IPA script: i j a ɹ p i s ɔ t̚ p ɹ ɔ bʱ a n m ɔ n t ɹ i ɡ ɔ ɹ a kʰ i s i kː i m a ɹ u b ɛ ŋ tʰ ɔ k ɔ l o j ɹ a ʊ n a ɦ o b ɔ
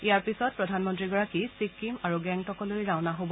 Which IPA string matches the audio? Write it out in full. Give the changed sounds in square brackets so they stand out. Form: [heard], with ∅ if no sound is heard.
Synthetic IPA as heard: i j a ɹ p i s ɔ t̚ p ɹ ɔ [dʱ] a n m ɔ n t ɹ i ɡ ɔ ɹ a [k] i s i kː i m a ɹ u [ɡ] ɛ ŋ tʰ ɔ k ɔ l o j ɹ a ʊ n a ɦ o b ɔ